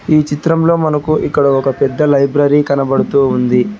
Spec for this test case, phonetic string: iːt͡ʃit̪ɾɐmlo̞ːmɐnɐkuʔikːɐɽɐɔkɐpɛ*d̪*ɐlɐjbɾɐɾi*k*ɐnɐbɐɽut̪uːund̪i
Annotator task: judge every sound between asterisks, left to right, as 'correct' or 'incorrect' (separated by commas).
incorrect, correct